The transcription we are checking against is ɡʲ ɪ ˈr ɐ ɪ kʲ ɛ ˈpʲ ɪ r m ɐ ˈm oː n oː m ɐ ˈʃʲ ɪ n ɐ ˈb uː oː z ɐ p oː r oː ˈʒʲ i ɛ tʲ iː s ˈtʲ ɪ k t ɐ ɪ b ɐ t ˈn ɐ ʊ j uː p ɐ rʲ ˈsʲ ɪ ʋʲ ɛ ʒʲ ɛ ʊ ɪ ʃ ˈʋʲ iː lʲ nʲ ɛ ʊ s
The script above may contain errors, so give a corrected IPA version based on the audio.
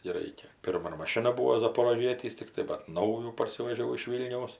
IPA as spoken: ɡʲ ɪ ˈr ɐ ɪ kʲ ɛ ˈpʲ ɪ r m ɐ ˈm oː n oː m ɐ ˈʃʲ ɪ n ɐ ˈb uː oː z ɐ p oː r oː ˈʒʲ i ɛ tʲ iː s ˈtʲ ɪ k t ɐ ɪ b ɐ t ˈn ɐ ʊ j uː p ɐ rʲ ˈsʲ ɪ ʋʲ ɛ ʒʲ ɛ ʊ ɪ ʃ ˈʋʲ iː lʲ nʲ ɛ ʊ s